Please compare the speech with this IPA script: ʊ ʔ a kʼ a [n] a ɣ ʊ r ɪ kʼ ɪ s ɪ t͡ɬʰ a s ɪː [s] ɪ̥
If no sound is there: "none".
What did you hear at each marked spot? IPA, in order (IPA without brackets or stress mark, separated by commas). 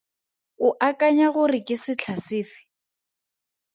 ɲ, f